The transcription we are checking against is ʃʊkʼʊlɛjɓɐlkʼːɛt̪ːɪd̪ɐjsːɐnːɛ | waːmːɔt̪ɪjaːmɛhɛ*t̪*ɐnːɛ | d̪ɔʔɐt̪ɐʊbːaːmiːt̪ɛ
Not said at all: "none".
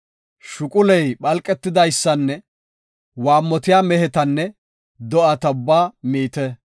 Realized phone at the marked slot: t̪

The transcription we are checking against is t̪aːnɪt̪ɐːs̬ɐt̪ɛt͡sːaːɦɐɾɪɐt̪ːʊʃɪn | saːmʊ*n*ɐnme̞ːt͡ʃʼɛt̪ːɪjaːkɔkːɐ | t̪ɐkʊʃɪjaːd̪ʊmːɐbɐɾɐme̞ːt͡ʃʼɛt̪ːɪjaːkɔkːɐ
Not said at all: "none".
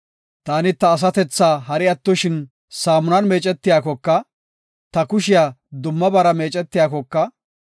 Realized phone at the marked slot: n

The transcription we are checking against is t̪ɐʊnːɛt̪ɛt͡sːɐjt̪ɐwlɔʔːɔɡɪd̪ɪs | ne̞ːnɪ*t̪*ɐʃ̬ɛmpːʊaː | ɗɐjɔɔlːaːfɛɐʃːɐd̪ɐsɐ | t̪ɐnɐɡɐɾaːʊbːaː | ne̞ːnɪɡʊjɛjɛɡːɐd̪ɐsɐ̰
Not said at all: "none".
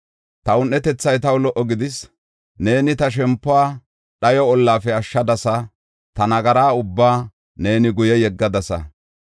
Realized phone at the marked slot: t̪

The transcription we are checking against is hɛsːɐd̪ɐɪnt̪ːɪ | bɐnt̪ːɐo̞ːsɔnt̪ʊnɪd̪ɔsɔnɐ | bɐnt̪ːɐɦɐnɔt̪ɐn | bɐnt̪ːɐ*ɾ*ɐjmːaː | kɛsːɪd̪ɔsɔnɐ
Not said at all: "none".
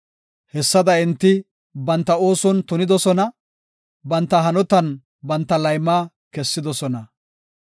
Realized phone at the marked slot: l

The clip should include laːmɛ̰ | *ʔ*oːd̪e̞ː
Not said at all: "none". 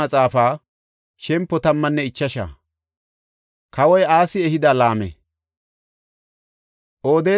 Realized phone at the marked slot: ʔ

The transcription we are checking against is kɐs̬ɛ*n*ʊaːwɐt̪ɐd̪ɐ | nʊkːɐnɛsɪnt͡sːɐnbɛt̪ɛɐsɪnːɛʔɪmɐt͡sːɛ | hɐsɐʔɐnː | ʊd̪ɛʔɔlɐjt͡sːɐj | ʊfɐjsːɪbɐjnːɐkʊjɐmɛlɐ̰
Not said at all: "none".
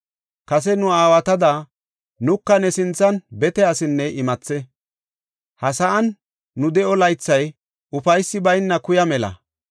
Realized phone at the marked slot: n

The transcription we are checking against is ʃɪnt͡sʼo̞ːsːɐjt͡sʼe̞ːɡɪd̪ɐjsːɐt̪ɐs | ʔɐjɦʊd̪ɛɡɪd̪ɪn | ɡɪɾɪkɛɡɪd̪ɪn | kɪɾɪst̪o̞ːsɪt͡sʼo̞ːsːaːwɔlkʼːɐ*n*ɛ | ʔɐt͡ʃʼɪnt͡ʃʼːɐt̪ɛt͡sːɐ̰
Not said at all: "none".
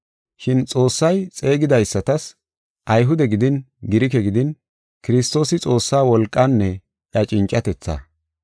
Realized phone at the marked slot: nː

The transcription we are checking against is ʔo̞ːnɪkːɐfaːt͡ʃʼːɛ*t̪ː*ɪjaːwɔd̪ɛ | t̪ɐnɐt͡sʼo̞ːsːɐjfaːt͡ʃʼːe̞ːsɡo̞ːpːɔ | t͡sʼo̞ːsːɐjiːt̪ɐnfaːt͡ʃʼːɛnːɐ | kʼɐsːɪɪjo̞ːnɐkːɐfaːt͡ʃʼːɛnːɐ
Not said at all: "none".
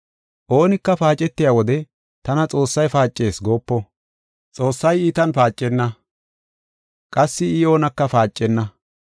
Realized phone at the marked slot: t̪ː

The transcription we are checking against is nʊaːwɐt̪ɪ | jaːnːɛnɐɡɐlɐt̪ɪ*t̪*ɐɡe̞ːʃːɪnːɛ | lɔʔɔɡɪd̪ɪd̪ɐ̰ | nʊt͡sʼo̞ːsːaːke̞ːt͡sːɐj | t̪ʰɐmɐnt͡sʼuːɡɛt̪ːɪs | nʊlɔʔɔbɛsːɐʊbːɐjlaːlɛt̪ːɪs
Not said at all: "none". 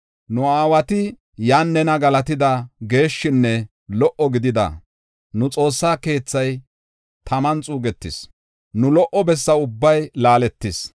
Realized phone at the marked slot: d̪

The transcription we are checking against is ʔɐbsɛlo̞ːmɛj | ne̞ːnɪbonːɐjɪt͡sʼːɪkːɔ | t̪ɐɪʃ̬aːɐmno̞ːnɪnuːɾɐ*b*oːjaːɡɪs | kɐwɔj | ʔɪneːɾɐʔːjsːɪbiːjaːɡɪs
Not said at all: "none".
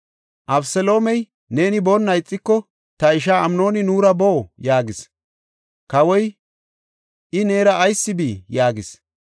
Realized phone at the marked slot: b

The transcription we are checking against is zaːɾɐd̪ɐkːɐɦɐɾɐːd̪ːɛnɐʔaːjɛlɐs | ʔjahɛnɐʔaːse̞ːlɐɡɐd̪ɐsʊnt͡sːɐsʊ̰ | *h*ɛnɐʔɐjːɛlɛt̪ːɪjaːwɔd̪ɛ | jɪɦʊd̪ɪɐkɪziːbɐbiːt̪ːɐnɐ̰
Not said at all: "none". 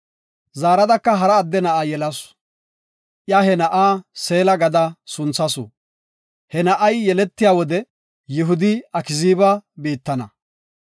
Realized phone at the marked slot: h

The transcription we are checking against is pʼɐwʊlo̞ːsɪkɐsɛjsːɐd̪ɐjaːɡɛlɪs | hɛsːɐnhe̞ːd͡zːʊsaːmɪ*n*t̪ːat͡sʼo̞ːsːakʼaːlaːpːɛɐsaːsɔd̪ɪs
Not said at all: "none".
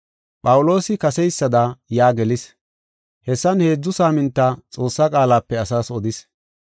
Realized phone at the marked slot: n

